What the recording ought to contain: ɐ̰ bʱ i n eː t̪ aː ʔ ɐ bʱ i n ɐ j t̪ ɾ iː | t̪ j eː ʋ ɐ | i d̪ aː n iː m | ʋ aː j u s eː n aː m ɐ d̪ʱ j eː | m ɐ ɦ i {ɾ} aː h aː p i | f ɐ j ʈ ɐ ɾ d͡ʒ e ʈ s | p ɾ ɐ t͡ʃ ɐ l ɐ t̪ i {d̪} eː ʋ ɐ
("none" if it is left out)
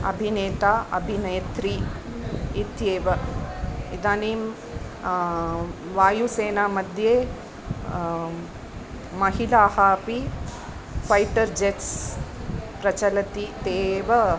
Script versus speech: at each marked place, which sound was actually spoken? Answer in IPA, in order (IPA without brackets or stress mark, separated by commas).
l, t̪